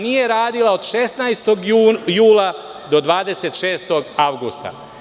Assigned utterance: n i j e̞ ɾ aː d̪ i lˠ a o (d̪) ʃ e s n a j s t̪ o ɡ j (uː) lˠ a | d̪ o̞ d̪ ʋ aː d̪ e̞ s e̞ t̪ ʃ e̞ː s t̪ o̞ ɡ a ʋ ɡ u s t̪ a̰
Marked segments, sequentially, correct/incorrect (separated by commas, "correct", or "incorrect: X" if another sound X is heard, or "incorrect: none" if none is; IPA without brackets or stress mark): correct, correct